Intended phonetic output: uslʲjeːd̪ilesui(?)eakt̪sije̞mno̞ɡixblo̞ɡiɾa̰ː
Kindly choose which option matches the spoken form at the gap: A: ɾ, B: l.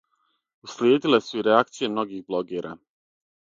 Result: A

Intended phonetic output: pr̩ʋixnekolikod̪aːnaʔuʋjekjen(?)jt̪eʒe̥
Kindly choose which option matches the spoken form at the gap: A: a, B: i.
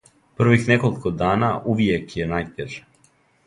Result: A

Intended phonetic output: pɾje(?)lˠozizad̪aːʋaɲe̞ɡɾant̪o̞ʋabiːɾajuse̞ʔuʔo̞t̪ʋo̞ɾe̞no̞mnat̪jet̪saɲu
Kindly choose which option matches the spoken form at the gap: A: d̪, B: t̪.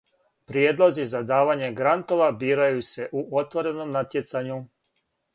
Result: A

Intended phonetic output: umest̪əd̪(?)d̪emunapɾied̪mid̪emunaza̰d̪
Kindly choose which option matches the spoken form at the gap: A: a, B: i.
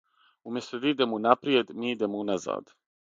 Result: B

